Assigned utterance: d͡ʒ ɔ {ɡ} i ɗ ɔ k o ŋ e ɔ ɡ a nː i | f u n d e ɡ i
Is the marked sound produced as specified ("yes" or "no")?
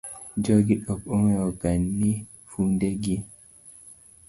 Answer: yes